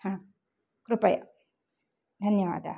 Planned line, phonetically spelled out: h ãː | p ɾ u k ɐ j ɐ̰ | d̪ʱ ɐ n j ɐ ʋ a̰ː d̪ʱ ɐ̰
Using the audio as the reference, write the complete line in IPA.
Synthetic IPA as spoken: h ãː | k ɾ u p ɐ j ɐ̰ | d̪ʱ ɐ n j ɐ ʋ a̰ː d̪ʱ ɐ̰